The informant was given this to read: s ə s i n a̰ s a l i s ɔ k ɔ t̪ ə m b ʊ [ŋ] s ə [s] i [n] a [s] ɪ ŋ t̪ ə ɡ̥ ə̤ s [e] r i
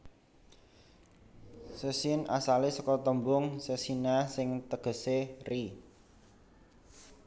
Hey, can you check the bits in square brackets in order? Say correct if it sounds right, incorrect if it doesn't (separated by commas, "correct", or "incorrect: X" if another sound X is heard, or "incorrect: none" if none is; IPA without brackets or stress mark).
correct, correct, correct, correct, correct